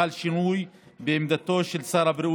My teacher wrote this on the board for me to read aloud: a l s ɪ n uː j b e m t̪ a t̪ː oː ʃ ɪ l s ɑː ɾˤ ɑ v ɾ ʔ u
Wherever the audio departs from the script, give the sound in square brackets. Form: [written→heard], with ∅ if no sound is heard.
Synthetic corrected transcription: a l [s→ʃ] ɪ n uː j b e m [t̪→d̪] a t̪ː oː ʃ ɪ l s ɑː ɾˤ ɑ [v→b] ɾ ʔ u